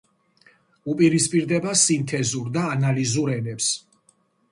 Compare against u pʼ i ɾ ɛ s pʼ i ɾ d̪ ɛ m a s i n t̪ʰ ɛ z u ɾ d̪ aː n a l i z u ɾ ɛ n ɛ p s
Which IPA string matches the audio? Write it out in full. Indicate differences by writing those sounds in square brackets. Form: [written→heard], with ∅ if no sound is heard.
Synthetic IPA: u pʼ i ɾ [ɛ→i] s pʼ i ɾ d̪ ɛ [m→b] a s i n t̪ʰ ɛ z u ɾ d̪ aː n a l i z u ɾ ɛ n ɛ p s

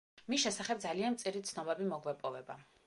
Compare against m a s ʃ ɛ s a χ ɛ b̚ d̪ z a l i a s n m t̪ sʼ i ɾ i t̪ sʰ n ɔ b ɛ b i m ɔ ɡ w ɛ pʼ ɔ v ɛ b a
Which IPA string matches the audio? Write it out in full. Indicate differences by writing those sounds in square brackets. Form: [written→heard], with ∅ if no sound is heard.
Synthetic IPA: m [a→i] s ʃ ɛ s a χ ɛ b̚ d̪ z a l i a [s→∅] n m t̪ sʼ i ɾ i t̪ sʰ n ɔ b ɛ b i m ɔ ɡ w ɛ pʼ ɔ v ɛ b a

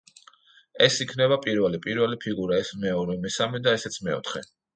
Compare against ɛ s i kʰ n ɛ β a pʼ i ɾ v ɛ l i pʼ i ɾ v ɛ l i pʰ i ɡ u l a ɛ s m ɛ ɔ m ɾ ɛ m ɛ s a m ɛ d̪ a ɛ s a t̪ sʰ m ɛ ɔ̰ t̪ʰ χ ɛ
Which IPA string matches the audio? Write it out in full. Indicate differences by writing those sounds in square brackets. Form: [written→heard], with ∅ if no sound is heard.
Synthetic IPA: ɛ s i kʰ n ɛ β a pʼ i ɾ v ɛ l i pʼ i ɾ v ɛ l i pʰ i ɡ u [l→ɾ] a ɛ s m ɛ ɔ [m→∅] ɾ ɛ m ɛ s a m ɛ d̪ a ɛ s [a→ɛ] t̪ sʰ m ɛ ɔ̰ t̪ʰ χ ɛ

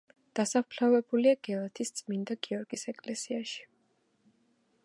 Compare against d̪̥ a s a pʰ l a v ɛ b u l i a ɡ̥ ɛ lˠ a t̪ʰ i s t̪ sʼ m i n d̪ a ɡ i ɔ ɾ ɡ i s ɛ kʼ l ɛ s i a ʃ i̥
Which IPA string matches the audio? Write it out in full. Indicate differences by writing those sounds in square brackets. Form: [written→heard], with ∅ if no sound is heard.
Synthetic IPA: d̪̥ a s a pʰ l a v ɛ b u l i a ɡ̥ ɛ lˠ a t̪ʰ i s t̪ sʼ m i n d̪ a ɡ i ɔ ɾ ɡ i s ɛ kʼ l ɛ s i a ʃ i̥

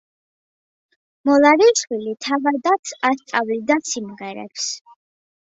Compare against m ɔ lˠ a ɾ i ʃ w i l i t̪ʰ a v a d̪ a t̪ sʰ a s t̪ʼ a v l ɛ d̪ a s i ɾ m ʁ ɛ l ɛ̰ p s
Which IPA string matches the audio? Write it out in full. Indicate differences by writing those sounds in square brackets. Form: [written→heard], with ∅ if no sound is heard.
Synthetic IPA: m ɔ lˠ a ɾ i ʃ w i l i t̪ʰ a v a d̪ a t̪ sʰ a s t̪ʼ a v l [ɛ→i] d̪ a s i [ɾ→∅] m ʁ ɛ [l→ɾ] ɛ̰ p s

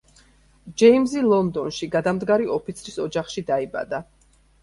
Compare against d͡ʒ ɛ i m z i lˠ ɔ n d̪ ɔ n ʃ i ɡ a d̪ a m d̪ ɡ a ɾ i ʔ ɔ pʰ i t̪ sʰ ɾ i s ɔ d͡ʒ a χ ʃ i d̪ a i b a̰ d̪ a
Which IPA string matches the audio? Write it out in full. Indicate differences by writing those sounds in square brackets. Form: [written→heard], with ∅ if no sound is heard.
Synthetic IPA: d͡ʒ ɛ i m z i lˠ ɔ n d̪ ɔ n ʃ i ɡ a d̪ a m d̪ ɡ a ɾ i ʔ ɔ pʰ i t̪ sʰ ɾ i s ɔ d͡ʒ a χ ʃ i d̪ a i b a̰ d̪ a

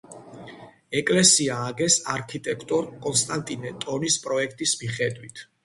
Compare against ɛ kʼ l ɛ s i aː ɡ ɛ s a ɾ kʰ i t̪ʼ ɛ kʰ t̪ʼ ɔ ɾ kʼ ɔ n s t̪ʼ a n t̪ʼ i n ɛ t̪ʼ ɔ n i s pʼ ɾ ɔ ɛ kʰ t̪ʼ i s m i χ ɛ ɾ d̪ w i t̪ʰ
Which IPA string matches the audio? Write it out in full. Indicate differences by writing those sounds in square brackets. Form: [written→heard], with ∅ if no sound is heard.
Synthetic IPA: ɛ kʼ l ɛ s i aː ɡ ɛ s a ɾ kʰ i t̪ʼ ɛ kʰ t̪ʼ ɔ ɾ kʼ ɔ n s t̪ʼ a n t̪ʼ i n ɛ t̪ʼ ɔ n i s pʼ ɾ ɔ ɛ kʰ t̪ʼ i s m i χ ɛ [ɾ→∅] d̪ w i t̪ʰ

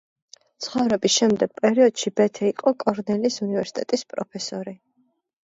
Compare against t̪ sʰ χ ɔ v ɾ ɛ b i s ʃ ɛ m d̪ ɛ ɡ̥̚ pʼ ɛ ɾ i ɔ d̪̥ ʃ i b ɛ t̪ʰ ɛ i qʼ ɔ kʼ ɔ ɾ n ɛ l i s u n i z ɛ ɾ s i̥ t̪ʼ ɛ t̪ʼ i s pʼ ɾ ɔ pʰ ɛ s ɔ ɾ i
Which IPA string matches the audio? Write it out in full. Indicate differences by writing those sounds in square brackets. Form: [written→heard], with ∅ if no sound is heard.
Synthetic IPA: t̪ sʰ χ ɔ v ɾ ɛ b i s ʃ ɛ m d̪ ɛ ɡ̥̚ pʼ ɛ ɾ i ɔ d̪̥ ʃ i b ɛ t̪ʰ ɛ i qʼ ɔ kʼ ɔ ɾ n ɛ l i s u n i [z→v] ɛ ɾ s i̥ t̪ʼ ɛ t̪ʼ i s pʼ ɾ ɔ pʰ ɛ s ɔ ɾ i

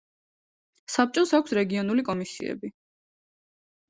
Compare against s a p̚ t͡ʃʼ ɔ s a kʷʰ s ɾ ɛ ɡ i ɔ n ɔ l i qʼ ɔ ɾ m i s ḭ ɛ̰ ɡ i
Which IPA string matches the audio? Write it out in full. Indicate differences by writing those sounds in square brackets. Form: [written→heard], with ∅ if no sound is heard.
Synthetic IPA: s a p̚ t͡ʃʼ ɔ s a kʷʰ s ɾ ɛ ɡ i ɔ n [ɔ→u] l i [qʼ→kʼ] ɔ [ɾ→∅] m i s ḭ ɛ̰ [ɡ→b] i

